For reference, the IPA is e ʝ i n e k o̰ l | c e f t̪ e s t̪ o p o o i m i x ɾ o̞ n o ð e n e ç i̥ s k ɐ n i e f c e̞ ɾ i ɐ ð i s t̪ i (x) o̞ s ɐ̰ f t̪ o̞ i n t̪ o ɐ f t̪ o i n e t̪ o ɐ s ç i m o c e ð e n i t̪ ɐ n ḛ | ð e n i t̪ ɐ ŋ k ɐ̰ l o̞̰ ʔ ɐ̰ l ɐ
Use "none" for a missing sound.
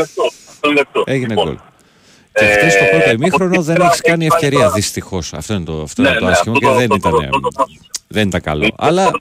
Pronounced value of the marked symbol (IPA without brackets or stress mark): x